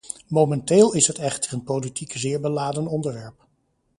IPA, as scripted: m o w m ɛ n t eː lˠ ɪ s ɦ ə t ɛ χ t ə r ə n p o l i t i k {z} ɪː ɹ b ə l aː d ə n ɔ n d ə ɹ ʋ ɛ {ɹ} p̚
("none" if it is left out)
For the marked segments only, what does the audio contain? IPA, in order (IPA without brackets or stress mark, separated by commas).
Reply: z, ɹ